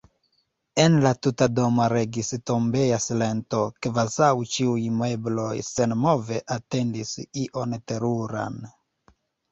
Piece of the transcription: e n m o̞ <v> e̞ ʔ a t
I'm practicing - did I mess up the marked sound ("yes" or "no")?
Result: no